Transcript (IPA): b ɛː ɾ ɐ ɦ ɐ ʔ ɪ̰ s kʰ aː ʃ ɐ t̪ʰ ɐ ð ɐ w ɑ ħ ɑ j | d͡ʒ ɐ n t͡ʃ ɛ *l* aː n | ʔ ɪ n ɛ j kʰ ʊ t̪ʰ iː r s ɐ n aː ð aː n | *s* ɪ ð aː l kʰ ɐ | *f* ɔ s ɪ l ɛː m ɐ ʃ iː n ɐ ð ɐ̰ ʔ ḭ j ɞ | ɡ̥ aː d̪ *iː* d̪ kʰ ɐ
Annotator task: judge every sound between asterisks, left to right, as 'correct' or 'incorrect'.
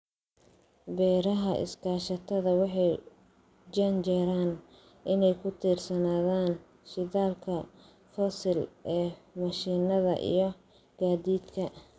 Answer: incorrect: ɾ, incorrect: ʃ, correct, correct

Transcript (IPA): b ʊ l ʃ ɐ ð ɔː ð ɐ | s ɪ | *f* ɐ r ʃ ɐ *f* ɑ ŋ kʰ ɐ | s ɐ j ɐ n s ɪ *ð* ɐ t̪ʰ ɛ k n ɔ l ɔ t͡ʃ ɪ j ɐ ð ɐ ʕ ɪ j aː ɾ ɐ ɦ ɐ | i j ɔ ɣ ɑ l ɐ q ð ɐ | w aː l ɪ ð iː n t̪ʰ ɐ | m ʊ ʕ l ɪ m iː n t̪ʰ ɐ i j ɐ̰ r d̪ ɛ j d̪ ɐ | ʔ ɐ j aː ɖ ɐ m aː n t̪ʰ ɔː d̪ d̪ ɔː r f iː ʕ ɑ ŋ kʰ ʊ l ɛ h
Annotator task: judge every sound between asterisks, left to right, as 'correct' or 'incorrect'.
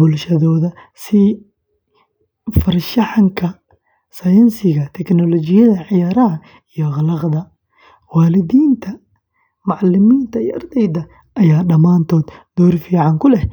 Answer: correct, incorrect: ħ, incorrect: ɣ

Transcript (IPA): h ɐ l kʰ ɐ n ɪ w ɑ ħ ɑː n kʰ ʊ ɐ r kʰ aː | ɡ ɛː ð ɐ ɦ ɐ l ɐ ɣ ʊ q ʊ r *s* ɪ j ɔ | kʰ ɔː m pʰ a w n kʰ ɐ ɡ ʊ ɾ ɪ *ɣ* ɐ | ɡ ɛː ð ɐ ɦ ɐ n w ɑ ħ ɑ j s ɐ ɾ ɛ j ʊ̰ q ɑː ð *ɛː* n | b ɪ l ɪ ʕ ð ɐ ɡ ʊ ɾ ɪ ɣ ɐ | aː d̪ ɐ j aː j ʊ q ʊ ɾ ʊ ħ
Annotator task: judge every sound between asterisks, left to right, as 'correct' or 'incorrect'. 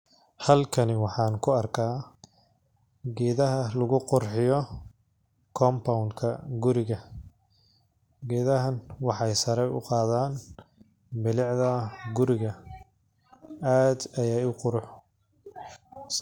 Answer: incorrect: ħ, correct, incorrect: aː

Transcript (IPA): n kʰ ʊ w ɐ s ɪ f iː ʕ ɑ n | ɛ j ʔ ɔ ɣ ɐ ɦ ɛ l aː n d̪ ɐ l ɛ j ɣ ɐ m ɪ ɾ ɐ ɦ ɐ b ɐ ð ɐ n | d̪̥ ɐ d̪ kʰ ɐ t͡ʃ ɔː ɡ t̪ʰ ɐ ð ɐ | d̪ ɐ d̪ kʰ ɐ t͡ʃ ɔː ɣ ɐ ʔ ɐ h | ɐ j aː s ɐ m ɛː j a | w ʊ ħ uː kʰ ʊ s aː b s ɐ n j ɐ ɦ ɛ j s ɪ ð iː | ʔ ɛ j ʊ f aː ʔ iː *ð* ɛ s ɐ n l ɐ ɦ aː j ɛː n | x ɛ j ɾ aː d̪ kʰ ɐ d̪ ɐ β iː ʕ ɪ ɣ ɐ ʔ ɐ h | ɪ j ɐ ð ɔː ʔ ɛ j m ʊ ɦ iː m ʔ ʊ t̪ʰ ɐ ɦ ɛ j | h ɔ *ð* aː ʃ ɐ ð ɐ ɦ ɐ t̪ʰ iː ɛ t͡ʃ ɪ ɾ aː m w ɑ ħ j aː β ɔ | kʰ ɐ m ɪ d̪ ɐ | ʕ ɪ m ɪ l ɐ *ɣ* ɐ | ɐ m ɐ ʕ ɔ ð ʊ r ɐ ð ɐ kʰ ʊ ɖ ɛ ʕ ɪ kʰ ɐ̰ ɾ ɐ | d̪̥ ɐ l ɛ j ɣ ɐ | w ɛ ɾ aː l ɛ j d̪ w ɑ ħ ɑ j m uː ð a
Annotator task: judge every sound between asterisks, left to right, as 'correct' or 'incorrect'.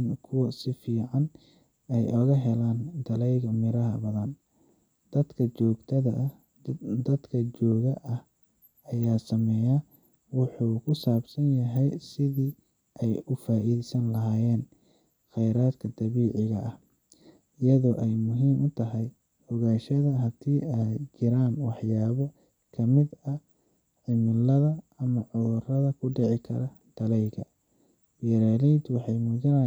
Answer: correct, incorrect: ɣ, incorrect: ð

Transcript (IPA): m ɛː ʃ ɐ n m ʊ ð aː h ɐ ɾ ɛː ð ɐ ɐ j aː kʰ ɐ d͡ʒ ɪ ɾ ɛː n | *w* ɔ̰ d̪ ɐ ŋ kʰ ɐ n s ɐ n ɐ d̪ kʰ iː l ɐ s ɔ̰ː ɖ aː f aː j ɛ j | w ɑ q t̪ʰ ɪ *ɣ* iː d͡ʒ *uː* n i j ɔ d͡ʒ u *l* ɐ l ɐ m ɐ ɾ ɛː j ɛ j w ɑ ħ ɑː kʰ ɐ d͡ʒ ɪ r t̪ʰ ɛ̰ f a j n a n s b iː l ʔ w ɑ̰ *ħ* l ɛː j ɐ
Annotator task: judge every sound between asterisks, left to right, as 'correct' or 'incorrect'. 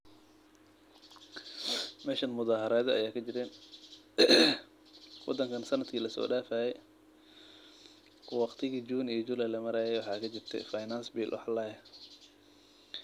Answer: correct, correct, correct, correct, correct

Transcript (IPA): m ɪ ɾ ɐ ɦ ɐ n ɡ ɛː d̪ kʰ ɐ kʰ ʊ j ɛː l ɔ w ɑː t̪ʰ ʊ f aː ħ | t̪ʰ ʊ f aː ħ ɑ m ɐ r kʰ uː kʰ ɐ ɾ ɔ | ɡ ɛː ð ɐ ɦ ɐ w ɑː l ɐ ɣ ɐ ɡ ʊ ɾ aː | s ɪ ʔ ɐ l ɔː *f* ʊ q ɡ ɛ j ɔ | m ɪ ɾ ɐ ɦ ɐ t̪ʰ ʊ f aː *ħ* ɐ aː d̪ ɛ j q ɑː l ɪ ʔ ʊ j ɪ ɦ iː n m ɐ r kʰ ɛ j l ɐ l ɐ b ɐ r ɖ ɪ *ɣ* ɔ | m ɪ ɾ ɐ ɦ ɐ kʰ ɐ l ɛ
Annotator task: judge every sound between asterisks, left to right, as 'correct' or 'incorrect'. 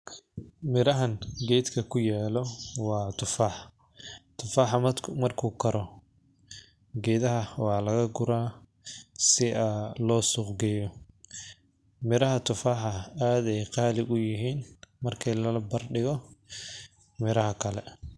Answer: incorrect: s, correct, correct

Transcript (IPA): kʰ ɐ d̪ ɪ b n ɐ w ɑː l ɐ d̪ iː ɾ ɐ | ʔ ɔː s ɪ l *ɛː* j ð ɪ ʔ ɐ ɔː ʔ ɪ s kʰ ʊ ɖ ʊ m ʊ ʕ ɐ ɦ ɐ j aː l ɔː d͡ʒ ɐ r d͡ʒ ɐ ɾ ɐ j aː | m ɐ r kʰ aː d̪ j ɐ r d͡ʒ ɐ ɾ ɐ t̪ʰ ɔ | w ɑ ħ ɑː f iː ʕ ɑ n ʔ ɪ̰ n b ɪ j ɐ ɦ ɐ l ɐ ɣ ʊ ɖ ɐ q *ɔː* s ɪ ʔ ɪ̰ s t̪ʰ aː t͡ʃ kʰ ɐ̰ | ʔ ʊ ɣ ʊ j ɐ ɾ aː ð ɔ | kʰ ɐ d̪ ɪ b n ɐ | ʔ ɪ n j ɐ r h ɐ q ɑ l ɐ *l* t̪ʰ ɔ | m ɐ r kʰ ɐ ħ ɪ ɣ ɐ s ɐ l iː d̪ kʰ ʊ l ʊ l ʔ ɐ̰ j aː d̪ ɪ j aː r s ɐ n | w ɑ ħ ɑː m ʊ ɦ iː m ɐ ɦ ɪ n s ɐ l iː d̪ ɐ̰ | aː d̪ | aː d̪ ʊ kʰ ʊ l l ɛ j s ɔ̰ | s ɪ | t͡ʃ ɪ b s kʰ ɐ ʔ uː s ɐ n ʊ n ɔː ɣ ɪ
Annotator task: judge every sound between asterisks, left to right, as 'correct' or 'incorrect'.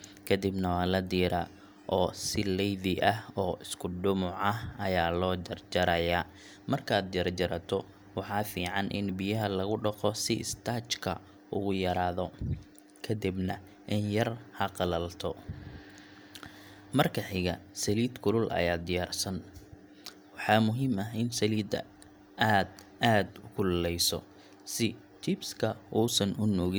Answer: incorrect: ɛ, incorrect: ɔ, correct

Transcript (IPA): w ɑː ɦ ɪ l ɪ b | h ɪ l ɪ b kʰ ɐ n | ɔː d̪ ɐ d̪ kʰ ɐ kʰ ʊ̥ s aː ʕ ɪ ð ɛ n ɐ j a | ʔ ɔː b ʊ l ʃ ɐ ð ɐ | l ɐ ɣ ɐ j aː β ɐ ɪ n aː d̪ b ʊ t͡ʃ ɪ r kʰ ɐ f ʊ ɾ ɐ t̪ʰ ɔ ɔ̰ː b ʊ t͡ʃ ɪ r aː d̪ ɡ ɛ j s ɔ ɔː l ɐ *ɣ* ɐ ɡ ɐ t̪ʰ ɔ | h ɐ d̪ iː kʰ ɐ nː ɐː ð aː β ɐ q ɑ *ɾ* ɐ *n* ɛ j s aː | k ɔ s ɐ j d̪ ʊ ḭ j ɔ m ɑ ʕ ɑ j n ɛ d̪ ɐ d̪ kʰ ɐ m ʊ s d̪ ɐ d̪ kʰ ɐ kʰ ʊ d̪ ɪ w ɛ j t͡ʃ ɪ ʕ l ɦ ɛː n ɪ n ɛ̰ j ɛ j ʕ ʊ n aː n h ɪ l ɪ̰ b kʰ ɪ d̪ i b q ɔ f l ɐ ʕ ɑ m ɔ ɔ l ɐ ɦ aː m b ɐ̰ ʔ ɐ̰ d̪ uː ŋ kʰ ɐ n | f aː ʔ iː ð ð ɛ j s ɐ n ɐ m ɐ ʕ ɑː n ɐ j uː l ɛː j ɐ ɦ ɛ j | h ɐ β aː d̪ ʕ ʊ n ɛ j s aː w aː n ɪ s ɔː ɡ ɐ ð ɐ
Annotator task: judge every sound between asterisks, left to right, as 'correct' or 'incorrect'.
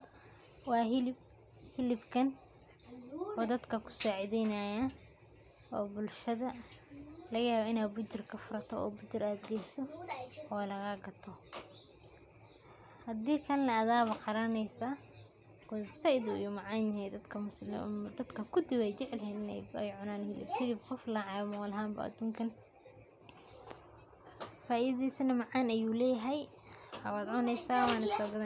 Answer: correct, correct, correct

